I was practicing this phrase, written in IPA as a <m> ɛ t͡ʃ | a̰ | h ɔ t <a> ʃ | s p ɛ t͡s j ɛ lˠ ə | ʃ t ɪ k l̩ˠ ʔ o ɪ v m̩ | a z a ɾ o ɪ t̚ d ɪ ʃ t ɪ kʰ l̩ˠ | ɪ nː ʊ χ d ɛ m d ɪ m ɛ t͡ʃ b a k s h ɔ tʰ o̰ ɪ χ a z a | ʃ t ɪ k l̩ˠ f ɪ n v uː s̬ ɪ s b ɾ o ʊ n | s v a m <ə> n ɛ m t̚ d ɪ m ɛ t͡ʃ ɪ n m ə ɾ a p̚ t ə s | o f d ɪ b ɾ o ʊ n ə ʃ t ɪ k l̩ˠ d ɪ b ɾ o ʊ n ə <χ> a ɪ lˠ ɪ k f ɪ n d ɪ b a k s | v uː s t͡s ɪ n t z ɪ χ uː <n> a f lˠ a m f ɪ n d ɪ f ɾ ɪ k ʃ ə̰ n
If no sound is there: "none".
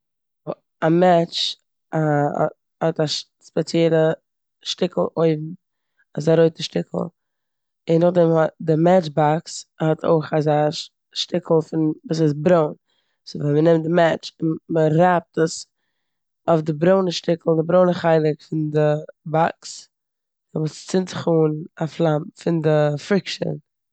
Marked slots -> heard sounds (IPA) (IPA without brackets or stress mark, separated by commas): m, a, ə, χ, n